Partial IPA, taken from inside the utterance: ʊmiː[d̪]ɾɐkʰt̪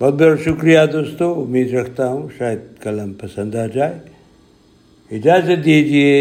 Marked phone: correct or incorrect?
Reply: correct